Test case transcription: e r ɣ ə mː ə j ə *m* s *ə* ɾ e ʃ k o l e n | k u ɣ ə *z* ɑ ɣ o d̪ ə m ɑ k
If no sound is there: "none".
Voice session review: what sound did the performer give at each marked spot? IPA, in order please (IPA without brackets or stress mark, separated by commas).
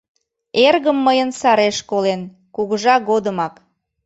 n, ɑ, ʒ